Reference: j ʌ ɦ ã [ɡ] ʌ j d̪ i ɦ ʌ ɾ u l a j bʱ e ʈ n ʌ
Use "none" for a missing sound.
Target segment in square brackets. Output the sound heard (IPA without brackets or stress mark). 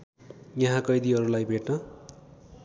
k